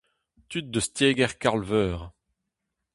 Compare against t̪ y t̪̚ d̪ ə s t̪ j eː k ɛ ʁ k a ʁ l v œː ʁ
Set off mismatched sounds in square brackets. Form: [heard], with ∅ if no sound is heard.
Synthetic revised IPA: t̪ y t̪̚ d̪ ə s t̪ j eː [ɡ] ɛ ʁ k a ʁ l v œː ʁ